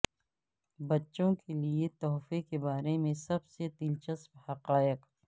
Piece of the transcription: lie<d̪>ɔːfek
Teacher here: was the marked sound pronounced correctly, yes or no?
no